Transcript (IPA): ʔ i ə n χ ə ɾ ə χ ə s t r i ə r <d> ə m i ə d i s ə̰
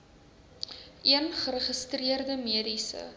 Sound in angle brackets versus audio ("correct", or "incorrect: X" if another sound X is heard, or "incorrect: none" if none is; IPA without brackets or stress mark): correct